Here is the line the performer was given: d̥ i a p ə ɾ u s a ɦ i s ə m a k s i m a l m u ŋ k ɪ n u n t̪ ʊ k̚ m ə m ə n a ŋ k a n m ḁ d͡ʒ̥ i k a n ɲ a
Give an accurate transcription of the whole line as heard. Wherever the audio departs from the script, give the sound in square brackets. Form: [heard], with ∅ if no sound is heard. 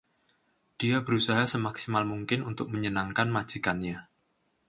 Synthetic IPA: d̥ i a [b] ə ɾ u s a ɦ [a] s ə m a k s i m a l m u ŋ k ɪ n u n t̪ ʊ k̚ m ə [ɲ] ə n a ŋ k a n m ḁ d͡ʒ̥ i k a n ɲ a